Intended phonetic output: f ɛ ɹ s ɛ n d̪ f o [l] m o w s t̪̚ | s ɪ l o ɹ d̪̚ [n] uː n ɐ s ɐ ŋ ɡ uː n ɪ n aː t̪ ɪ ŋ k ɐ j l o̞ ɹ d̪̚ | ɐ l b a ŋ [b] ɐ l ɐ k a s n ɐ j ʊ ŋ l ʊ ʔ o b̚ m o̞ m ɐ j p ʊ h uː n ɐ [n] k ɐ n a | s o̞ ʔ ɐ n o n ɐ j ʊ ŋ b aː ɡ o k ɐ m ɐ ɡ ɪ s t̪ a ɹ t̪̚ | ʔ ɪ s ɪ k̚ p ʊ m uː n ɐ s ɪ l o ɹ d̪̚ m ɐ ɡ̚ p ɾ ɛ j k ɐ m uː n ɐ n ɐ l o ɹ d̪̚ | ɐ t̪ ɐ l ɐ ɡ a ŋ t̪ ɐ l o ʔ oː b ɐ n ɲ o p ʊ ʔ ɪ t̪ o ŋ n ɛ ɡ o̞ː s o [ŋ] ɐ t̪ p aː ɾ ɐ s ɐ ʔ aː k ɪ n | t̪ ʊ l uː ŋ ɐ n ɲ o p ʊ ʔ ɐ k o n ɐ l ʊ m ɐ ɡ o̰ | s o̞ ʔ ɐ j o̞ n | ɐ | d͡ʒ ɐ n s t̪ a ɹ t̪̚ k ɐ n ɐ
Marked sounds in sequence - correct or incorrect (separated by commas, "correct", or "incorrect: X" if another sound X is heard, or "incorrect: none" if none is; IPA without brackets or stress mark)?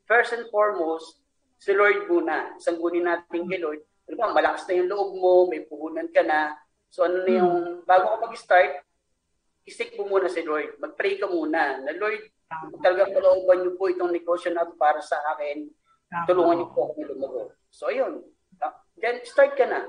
incorrect: ɹ, incorrect: m, incorrect: m, correct, incorrect: n